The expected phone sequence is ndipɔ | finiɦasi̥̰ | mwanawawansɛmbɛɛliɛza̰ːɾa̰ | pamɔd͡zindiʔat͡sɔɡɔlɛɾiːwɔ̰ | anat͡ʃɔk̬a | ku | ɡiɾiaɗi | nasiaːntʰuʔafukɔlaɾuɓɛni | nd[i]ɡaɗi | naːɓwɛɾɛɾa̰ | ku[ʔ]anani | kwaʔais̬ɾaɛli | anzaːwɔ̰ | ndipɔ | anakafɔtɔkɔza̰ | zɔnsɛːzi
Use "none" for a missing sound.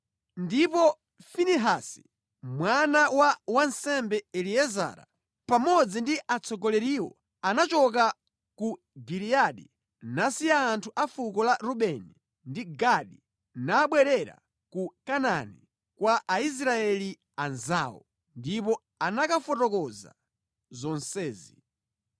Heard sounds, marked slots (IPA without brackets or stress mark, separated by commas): i, k